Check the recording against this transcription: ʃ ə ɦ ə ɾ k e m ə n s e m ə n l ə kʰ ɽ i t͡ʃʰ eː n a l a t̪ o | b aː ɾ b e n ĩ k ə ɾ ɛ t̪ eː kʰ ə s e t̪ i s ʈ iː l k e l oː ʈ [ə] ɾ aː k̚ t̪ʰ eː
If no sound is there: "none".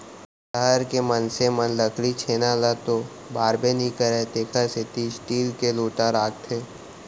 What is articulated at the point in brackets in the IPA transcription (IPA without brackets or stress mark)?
a